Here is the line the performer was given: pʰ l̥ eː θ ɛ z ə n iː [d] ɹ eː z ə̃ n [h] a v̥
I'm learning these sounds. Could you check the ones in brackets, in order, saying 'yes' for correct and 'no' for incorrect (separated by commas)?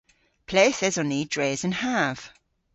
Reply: yes, yes